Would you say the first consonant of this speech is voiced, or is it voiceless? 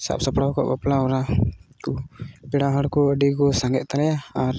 voiceless